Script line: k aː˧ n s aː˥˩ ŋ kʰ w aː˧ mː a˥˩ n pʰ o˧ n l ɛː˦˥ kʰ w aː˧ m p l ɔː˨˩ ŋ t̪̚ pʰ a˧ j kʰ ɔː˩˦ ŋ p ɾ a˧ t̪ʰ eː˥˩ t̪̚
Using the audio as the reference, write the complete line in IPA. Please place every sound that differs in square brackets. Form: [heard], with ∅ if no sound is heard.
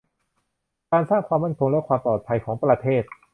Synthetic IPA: k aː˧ n s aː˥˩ ŋ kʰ w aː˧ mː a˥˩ n [kʰ] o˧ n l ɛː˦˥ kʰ w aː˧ m p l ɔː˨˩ [∅] t̪̚ pʰ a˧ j kʰ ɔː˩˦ ŋ p ɾ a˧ t̪ʰ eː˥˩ t̪̚